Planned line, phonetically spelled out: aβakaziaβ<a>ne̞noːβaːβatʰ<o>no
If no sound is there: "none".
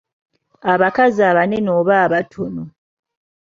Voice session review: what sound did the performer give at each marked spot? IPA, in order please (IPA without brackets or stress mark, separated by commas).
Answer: a, o